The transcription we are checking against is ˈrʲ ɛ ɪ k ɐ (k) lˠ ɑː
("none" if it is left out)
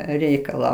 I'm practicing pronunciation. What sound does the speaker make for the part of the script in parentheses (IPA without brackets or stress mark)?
none